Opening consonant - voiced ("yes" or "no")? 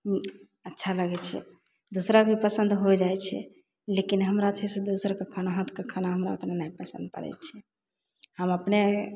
no